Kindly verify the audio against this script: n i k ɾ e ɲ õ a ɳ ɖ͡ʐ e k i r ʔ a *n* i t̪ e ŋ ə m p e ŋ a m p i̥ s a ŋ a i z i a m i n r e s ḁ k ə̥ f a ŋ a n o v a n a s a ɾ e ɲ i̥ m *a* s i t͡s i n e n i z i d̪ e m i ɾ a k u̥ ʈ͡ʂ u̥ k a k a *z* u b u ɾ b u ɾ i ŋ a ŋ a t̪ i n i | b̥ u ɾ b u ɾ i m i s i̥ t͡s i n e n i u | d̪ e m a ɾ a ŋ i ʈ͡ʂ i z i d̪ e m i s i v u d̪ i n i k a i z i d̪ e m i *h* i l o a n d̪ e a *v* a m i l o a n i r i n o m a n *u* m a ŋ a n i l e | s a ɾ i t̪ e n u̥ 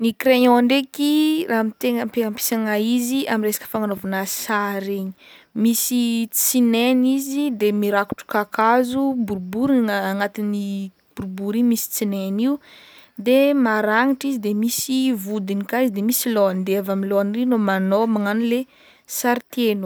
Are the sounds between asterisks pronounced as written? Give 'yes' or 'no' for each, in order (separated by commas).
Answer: no, no, yes, no, yes, no